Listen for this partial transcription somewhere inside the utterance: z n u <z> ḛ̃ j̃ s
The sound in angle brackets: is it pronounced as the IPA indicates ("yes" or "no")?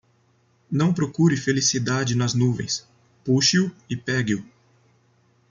no